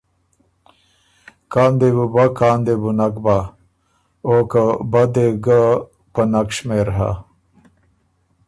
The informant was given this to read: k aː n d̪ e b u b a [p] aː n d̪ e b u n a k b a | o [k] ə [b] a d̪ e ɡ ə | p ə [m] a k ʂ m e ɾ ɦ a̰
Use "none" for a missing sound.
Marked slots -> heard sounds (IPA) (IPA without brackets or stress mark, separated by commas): k, k, b, n